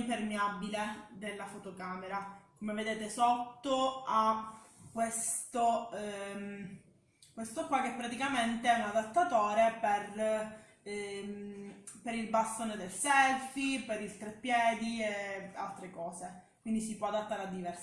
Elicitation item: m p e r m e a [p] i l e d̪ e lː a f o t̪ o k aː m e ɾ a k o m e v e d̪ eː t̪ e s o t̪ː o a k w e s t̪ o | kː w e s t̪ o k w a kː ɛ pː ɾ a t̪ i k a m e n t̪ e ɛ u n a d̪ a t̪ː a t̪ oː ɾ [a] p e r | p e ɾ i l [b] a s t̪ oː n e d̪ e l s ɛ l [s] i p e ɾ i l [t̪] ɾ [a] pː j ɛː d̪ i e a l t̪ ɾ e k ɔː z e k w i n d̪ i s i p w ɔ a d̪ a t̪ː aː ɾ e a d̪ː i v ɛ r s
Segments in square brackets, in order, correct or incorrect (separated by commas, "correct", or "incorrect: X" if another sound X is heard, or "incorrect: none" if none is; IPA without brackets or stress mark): incorrect: b, incorrect: e, correct, incorrect: f, correct, incorrect: e